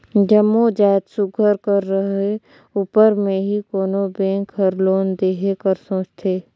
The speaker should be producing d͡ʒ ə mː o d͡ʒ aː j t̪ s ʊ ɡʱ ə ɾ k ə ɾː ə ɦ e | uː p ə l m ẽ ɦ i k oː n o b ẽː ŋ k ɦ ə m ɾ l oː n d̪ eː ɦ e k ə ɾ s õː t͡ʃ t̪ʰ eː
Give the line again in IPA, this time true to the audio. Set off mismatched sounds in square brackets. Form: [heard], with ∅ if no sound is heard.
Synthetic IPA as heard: d͡ʒ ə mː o d͡ʒ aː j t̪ s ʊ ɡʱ ə ɾ k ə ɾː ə ɦ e | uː p ə [ɾ] m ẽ ɦ i k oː n o b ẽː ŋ k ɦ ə [∅] ɾ l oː n d̪ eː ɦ e k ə ɾ s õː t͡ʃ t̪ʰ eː